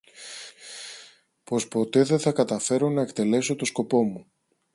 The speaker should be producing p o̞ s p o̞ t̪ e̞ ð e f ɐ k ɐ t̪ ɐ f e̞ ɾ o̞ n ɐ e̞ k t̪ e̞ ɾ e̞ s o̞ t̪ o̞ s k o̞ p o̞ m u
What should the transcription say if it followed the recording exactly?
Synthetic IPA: p o̞ s p o̞ t̪ e̞ ð e θ ɐ k ɐ t̪ ɐ f e̞ ɾ o̞ n ɐ e̞ k t̪ e̞ l e̞ s o̞ t̪ o̞ s k o̞ p o̞ m u